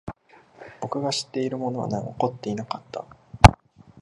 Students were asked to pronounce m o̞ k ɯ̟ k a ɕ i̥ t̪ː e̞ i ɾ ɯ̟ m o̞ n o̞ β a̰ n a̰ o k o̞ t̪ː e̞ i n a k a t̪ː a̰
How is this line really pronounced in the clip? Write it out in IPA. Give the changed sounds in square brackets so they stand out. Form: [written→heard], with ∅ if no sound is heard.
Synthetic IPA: [m→b] o̞ k ɯ̟ [k→ɡ] a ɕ i̥ t̪ː e̞ i ɾ ɯ̟ m o̞ n o̞ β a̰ n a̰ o k o̞ t̪ː e̞ i n a k a t̪ː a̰